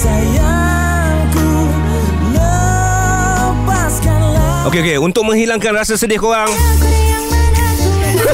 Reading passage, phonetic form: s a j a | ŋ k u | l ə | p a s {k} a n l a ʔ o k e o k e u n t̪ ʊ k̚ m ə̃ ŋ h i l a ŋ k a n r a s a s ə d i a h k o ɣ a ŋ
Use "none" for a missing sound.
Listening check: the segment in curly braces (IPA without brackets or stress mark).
k